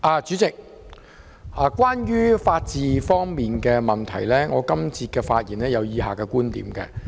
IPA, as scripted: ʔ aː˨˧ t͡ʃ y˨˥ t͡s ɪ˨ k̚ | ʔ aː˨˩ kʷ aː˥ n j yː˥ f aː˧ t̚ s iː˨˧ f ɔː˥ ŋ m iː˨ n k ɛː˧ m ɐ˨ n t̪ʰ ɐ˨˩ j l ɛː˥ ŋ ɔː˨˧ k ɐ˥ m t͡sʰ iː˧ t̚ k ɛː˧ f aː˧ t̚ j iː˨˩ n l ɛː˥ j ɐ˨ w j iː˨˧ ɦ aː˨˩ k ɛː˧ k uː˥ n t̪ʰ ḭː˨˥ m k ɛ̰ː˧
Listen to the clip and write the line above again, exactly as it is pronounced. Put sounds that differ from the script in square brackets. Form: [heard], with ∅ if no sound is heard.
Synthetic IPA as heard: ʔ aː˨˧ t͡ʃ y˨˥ t͡s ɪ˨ k̚ | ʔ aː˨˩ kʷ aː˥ n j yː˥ f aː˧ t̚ [t͡s] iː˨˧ f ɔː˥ ŋ m iː˨ n k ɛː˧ m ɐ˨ n t̪ʰ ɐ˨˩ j l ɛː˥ ŋ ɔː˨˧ k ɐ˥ m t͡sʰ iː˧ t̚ k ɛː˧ f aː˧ t̚ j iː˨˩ n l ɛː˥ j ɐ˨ w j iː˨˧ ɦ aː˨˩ k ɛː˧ k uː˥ n [t̪] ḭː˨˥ m k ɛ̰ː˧

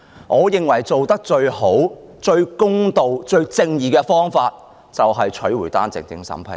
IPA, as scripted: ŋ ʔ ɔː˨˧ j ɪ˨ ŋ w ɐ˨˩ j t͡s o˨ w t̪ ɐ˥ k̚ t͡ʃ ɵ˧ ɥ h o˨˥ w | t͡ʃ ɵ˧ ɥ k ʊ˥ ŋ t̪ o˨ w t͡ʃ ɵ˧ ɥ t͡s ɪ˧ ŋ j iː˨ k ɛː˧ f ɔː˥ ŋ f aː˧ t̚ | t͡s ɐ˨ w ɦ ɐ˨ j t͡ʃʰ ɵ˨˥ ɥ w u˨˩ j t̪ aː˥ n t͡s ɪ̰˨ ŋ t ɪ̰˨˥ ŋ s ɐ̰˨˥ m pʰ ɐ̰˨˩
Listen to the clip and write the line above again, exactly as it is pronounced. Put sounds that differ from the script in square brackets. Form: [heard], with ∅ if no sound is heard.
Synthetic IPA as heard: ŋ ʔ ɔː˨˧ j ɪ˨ ŋ w ɐ˨˩ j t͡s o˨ w t̪ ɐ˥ k̚ t͡ʃ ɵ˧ ɥ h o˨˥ w | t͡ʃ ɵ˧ ɥ k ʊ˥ ŋ t̪ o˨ w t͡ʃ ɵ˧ ɥ t͡s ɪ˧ ŋ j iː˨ k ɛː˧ f ɔː˥ ŋ f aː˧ t̚ | t͡s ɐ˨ w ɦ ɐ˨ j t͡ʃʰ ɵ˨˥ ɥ w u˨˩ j t̪ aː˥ n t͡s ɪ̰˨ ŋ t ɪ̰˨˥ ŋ s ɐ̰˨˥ m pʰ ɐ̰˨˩

